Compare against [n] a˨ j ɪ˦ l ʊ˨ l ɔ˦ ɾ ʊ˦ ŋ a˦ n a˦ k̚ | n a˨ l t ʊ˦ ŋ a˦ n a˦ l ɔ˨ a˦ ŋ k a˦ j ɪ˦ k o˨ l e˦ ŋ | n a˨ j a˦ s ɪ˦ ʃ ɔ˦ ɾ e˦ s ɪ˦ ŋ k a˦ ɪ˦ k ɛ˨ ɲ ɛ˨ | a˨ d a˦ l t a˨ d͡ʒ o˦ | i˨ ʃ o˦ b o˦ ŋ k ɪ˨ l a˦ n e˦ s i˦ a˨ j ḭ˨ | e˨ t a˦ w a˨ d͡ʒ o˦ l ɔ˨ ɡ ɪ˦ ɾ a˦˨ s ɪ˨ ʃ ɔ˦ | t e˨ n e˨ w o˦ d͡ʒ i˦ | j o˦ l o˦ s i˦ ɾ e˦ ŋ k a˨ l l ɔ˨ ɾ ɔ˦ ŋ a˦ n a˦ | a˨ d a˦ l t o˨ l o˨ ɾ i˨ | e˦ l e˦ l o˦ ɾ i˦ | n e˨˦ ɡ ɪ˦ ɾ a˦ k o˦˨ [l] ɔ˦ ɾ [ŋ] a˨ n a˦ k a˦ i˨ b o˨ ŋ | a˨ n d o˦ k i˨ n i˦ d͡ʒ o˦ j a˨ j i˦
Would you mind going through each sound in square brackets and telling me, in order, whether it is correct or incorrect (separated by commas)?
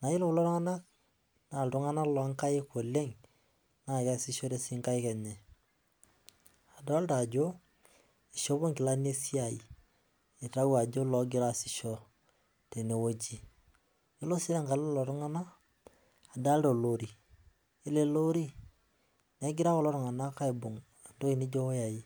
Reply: correct, correct, correct